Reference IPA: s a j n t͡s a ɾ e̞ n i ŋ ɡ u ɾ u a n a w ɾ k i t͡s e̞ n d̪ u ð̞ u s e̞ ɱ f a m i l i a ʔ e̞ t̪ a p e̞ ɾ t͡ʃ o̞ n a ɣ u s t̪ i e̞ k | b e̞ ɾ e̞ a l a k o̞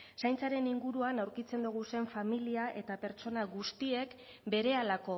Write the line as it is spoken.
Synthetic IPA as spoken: s a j n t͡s a ɾ e̞ n i ŋ ɡ u ɾ u a n a w ɾ k i t͡s e̞ n d̪ u ɣ̞ u s e̞ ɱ f a m i l i a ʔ e̞ t̪ a p e̞ ɾ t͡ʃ o̞ n a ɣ u s t̪ i e̞ k | b e̞ ɾ e̞ a l a k o̞